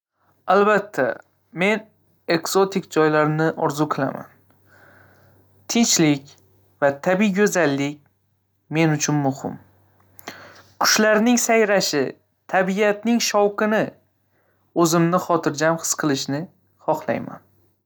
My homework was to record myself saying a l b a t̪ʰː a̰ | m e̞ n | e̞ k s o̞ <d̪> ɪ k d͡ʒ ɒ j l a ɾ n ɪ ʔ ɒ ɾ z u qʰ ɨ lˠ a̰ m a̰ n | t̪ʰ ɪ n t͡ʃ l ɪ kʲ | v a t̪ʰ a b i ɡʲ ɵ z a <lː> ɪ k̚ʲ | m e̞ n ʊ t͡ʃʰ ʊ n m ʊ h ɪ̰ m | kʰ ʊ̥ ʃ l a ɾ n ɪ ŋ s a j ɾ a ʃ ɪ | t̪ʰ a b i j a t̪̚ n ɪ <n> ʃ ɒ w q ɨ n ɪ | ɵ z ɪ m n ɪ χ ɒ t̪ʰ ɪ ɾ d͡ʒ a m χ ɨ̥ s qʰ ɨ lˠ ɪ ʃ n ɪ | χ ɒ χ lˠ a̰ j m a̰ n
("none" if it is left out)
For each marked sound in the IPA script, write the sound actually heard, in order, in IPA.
t̪, lː, ŋ

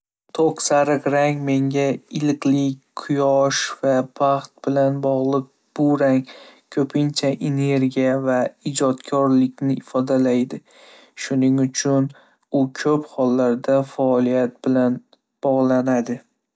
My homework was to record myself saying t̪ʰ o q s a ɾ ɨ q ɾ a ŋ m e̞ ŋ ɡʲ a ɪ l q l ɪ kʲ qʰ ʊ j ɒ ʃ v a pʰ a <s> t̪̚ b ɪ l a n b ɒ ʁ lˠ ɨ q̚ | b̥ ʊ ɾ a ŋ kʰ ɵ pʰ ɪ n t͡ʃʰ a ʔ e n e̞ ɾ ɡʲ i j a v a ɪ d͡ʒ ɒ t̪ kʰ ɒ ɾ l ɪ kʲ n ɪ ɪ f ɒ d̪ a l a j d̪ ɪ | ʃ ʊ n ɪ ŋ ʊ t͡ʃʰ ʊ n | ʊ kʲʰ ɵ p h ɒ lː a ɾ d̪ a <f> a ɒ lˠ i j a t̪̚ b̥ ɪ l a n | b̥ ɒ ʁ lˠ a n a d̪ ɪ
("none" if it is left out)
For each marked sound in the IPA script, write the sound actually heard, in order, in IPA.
χ, f

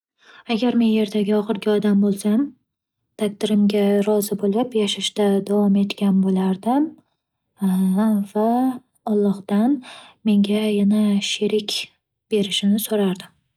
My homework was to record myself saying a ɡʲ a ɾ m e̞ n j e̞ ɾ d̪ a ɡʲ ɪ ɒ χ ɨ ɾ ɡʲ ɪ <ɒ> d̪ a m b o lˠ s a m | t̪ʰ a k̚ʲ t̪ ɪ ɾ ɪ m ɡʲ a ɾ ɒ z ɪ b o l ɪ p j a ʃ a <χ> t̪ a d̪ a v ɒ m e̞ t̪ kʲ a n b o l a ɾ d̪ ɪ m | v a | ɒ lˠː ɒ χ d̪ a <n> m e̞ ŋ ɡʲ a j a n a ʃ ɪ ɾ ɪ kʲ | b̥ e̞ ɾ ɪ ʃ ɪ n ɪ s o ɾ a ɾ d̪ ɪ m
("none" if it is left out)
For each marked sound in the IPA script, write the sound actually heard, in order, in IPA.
ɒ, ʃ, n

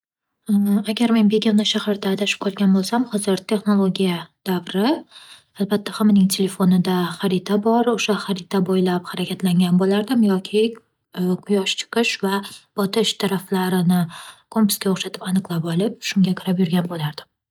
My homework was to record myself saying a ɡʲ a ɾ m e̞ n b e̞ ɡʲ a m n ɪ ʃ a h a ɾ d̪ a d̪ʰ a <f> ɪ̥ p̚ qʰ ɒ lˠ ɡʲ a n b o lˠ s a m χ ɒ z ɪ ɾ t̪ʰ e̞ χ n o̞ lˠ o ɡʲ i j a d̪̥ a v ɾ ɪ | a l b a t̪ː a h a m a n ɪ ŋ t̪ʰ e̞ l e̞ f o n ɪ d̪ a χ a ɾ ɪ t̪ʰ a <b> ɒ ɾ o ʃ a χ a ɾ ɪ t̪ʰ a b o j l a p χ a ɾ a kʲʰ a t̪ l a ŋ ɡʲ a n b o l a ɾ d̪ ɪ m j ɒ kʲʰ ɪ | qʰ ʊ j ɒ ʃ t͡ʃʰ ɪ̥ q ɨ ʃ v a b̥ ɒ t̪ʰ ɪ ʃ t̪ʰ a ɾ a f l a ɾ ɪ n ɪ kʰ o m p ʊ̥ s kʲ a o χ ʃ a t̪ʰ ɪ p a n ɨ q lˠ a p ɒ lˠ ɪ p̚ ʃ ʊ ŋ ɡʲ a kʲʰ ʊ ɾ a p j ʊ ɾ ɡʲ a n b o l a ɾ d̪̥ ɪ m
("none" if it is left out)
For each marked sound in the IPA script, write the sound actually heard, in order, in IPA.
ʃ, b

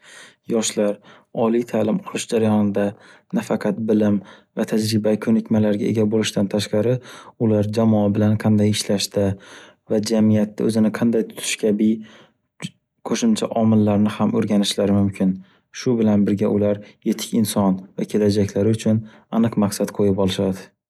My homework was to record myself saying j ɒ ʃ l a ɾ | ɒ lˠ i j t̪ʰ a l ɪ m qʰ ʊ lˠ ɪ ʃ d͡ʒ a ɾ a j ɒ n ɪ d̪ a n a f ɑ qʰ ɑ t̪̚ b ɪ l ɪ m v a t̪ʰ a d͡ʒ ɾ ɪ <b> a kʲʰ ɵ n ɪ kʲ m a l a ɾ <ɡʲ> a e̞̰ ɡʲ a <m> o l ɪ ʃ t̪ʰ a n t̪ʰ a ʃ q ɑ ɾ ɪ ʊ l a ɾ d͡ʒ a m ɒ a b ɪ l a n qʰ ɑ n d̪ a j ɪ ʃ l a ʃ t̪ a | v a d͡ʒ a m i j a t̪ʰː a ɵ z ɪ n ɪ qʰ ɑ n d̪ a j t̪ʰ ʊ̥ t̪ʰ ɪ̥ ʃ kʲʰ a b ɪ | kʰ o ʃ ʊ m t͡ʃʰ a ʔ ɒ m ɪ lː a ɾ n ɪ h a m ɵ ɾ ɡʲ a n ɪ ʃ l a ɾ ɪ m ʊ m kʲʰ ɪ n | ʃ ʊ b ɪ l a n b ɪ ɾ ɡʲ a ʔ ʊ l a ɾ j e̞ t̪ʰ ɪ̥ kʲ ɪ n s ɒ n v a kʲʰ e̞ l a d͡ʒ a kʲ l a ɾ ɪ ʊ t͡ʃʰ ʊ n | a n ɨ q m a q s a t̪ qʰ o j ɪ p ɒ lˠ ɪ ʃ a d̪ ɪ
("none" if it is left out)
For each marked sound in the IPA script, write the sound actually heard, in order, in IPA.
b, ɡʲ, b

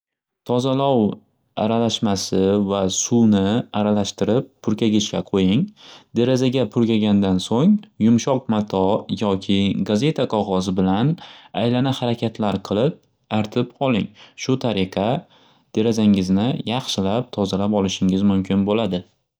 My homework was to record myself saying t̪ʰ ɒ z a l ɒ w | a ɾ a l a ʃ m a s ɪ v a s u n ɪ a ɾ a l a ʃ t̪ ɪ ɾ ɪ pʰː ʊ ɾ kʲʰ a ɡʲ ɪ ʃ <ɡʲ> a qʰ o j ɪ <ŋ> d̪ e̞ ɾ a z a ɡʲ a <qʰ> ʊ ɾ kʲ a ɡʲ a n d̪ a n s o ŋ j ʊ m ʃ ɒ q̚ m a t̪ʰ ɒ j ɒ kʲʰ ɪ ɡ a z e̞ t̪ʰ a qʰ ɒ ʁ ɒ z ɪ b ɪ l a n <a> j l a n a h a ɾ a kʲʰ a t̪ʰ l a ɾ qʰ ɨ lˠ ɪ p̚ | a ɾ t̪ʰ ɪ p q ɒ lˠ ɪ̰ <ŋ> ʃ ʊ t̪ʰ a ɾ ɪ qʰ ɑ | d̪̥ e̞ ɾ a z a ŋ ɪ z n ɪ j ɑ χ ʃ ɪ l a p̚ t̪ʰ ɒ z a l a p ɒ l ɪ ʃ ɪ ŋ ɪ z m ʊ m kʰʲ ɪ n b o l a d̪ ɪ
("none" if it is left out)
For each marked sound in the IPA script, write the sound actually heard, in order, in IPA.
kʲ, ŋ, pʰ, a, ŋ

